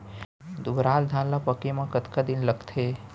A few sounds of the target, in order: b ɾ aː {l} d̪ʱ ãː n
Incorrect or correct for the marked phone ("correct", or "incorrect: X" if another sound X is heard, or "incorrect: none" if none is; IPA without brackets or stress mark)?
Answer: correct